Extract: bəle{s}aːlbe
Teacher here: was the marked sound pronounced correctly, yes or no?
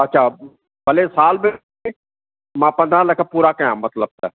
yes